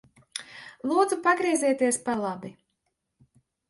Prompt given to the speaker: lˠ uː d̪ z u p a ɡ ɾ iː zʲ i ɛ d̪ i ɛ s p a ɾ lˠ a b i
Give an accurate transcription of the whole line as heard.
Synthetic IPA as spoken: lˠ uː d̪ z u p a ɡ ɾ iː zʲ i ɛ t̪ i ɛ s p a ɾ lˠ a b i